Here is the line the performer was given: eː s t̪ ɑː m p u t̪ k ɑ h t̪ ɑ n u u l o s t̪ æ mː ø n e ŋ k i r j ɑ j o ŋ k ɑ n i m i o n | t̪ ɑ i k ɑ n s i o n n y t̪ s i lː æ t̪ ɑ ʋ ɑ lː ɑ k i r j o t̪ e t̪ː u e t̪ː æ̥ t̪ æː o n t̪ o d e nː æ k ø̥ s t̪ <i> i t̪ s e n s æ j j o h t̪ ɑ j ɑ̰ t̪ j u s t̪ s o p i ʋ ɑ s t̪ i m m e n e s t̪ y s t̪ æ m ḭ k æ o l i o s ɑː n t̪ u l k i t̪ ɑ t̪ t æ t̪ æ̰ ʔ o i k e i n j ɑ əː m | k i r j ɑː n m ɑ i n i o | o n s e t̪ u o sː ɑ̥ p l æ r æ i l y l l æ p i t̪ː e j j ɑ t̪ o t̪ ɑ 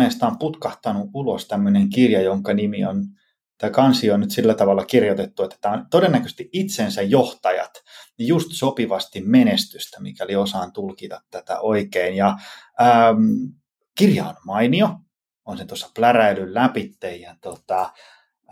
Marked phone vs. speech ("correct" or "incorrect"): correct